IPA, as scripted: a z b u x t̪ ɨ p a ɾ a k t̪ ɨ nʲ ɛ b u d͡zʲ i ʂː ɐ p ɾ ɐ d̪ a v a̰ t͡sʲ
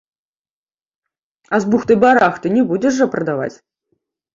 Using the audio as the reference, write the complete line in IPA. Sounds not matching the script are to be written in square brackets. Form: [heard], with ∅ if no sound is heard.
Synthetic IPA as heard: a z b u x t̪ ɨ [b] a ɾ a [x] t̪ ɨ nʲ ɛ b u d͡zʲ [ɛ] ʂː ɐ p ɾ ɐ d̪ a v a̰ t͡sʲ